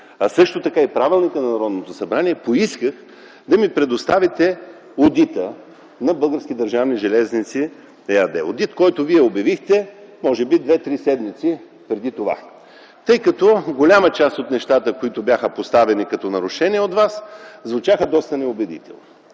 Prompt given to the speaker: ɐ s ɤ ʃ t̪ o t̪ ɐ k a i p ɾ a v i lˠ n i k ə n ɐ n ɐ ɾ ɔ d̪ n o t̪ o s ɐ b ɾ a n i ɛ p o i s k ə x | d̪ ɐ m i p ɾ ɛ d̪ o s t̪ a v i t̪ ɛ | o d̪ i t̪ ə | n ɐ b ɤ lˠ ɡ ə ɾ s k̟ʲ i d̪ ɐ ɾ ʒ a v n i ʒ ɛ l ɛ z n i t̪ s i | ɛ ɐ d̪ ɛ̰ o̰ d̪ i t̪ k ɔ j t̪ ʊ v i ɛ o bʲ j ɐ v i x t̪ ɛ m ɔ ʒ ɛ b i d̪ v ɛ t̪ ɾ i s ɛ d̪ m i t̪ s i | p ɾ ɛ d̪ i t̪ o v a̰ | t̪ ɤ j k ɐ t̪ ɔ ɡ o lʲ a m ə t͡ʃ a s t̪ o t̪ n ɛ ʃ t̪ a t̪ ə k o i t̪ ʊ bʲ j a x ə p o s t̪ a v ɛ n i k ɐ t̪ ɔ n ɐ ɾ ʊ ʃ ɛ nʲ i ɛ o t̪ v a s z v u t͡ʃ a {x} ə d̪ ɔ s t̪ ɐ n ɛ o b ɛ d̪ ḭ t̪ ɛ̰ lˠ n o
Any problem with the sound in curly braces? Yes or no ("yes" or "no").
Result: no